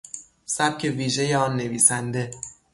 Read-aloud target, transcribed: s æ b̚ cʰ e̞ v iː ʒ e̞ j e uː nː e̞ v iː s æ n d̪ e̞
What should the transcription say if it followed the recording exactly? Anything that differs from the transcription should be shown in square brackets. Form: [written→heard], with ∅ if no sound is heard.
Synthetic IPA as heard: s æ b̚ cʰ e̞ v iː ʒ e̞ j e [uː→ɒː] nː e̞ v iː s æ n d̪ e̞